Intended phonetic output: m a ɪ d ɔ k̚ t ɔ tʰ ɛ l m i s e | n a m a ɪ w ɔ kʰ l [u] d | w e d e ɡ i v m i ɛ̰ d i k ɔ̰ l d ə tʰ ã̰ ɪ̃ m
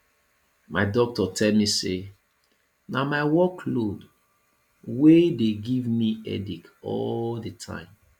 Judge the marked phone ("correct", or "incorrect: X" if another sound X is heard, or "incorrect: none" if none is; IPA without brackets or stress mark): incorrect: o